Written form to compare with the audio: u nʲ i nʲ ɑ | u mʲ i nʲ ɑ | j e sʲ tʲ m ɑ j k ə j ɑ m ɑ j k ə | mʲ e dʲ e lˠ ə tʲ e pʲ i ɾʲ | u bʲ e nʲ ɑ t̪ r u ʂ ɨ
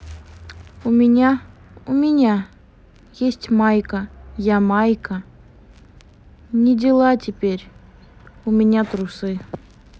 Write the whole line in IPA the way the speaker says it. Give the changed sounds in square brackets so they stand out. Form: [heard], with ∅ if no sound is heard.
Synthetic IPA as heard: u [mʲ] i nʲ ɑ | u mʲ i nʲ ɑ | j e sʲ tʲ m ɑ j k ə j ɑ m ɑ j k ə | [nʲ] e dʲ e lˠ [ɑ] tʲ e pʲ [e] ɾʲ | u [mʲ] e nʲ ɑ t̪ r u [s] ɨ